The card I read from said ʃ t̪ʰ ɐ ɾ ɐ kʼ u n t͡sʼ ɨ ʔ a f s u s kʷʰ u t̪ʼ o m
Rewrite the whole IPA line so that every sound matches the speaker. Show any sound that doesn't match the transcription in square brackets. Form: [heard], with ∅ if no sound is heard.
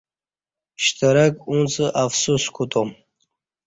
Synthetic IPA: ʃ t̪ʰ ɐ ɾ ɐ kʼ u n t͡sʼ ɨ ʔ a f s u s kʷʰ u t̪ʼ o m